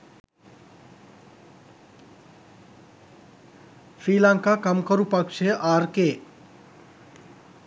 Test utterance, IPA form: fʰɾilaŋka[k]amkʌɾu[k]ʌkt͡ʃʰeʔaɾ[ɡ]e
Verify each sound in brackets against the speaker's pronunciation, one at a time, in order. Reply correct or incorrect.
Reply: correct, incorrect, incorrect

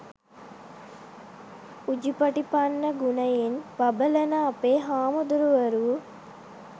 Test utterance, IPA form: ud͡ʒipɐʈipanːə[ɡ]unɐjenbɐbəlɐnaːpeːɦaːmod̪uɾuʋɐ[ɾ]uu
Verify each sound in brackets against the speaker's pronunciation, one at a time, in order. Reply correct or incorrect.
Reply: correct, correct

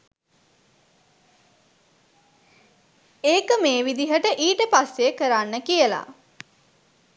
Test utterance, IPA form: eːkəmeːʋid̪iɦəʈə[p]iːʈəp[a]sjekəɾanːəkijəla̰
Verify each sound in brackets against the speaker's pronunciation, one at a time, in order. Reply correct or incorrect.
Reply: incorrect, correct

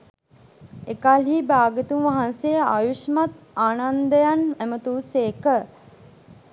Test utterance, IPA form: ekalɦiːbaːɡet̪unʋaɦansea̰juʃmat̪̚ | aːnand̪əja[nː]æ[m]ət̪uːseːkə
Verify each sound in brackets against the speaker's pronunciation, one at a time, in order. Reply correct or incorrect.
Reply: incorrect, correct

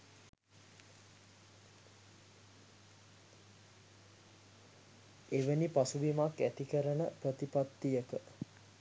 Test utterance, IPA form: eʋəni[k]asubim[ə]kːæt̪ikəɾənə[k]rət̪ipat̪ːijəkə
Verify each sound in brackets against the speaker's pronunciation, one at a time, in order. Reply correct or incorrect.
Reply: incorrect, incorrect, incorrect

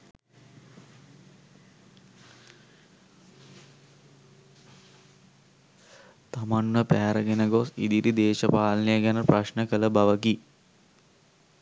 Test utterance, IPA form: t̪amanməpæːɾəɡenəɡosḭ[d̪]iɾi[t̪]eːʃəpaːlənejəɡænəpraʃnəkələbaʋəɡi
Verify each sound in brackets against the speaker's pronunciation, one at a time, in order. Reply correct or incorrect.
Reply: correct, incorrect

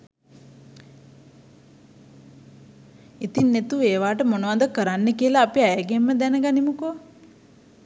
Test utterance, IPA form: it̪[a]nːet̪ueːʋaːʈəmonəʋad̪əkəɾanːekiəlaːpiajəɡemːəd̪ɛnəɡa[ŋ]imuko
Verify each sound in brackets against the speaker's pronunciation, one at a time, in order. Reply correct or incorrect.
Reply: incorrect, incorrect

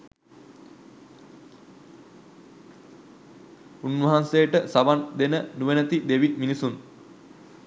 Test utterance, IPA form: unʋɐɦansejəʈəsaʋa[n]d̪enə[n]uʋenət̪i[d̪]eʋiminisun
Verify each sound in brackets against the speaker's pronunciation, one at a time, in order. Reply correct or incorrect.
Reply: correct, correct, correct

